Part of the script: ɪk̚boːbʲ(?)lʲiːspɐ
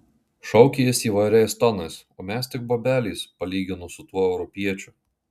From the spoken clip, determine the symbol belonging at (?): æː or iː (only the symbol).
æː